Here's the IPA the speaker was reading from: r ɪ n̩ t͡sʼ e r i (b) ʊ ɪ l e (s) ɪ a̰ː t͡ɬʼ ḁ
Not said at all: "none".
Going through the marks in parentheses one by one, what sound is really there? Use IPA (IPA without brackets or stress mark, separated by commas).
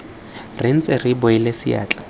b, s